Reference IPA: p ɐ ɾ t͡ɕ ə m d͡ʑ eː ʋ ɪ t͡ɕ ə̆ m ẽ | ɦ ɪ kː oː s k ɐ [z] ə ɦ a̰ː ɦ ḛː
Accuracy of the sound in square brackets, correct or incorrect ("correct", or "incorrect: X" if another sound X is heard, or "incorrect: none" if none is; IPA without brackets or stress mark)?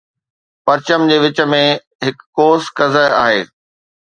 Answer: correct